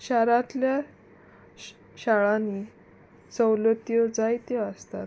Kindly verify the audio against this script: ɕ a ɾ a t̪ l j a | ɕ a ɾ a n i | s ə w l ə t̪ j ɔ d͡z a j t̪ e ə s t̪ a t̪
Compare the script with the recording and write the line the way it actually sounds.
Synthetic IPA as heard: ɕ a ɾ a t̪ l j a | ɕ a ɭ a n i | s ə w l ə t̪ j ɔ d͡z a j t̪ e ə s t̪ a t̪